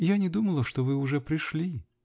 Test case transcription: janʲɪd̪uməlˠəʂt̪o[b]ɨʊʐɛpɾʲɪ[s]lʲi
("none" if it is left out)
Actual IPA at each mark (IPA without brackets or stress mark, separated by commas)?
v, ʂ